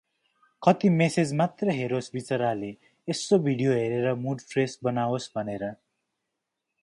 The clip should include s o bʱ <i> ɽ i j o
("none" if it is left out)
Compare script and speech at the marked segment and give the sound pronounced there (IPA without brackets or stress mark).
i